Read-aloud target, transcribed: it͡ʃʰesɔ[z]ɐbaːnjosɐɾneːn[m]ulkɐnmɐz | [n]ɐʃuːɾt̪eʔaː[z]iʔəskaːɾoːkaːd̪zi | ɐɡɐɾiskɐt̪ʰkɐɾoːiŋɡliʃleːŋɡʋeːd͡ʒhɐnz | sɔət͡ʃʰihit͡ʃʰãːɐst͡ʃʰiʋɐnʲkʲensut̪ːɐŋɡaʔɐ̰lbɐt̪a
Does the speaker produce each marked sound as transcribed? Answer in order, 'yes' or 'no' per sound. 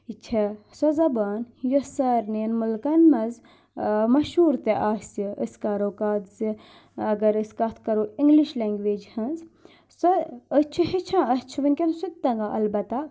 yes, yes, no, no

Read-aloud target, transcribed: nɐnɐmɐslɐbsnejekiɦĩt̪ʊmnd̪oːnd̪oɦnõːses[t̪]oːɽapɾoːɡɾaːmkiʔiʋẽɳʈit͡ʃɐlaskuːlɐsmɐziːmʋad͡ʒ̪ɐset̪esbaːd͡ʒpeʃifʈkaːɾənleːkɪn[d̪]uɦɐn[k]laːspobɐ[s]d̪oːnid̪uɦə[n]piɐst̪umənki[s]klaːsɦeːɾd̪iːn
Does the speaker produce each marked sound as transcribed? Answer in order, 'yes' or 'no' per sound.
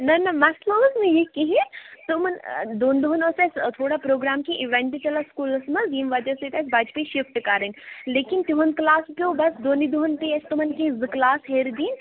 no, no, yes, yes, yes, no

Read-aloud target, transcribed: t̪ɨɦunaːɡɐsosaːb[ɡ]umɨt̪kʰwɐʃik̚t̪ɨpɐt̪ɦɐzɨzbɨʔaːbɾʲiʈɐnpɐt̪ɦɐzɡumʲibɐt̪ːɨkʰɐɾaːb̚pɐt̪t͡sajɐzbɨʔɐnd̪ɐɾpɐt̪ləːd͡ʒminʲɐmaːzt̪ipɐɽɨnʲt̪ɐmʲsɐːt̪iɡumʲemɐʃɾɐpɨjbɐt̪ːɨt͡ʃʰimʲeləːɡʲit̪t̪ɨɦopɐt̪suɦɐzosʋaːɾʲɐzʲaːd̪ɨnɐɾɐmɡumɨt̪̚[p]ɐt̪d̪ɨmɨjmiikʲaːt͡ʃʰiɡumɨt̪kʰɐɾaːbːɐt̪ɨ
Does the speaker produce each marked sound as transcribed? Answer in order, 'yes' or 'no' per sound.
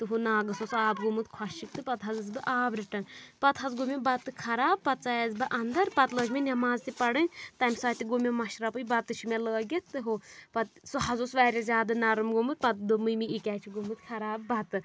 yes, yes

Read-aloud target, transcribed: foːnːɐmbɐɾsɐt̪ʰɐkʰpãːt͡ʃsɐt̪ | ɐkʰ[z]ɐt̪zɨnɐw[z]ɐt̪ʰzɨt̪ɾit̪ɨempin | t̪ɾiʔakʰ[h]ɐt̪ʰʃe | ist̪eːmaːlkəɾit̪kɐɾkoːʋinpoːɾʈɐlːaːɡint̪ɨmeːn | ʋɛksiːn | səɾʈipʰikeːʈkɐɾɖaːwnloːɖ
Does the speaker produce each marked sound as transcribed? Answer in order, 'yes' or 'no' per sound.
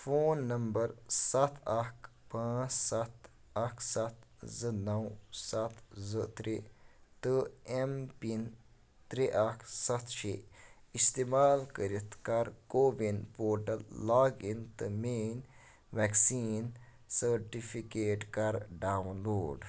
no, no, no

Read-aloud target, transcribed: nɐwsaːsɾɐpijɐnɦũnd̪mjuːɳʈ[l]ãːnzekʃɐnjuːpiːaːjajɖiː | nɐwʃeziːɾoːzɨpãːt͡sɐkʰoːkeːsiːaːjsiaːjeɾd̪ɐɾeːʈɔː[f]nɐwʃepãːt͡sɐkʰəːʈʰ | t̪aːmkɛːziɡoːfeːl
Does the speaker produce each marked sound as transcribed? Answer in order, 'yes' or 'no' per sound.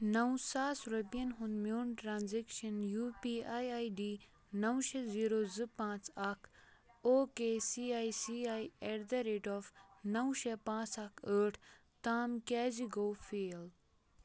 no, yes

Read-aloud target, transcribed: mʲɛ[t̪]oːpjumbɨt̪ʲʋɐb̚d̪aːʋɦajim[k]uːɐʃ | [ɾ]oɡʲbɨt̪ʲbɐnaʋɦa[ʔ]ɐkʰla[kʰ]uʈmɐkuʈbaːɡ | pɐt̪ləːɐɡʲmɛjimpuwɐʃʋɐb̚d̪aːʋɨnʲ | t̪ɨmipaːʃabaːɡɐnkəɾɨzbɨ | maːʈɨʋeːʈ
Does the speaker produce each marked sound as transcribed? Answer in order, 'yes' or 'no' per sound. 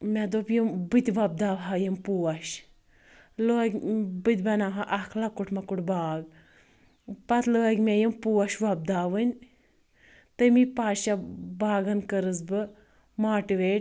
no, no, no, yes, no

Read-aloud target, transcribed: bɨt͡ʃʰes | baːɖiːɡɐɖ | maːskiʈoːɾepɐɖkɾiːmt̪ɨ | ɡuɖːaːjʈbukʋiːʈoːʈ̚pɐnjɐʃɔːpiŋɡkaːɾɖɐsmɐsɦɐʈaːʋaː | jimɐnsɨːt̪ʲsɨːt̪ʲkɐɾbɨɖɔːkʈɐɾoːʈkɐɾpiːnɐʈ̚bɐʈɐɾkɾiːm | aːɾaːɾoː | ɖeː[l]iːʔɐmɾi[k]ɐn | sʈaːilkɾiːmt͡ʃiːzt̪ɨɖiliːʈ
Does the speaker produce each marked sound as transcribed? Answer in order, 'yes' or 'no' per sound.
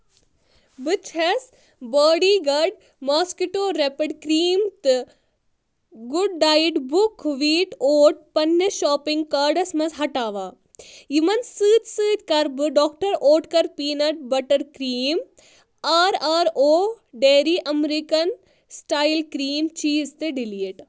no, yes

